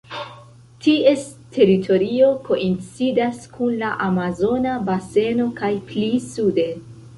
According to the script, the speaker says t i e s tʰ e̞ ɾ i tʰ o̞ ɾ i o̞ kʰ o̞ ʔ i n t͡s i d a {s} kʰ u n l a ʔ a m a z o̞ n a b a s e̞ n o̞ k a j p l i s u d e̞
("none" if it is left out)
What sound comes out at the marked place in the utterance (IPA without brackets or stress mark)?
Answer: s